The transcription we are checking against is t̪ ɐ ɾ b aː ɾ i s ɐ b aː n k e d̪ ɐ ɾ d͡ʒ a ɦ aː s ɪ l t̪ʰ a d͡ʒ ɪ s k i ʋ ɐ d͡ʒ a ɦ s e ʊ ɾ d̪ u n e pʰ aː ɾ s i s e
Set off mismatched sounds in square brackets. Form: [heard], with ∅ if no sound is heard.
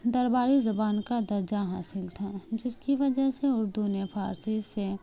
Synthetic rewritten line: [d̪] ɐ ɾ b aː ɾ i [z] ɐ b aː n k [a] d̪ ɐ ɾ d͡ʒ a ɦ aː s ɪ l t̪ʰ a d͡ʒ ɪ s k i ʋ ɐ d͡ʒ [ə] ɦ s e ʊ ɾ d̪ u n e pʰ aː ɾ s i s e